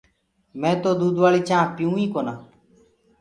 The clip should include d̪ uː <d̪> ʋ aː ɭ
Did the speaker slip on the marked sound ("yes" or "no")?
no